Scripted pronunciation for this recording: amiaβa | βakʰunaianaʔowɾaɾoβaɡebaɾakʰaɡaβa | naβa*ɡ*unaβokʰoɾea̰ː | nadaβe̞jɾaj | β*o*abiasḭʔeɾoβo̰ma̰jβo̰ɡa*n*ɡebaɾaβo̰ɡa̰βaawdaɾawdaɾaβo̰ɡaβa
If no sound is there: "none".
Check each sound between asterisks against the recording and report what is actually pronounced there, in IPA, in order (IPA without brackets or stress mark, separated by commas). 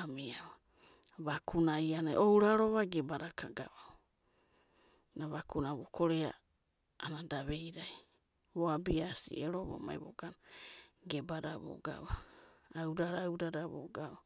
k, o, n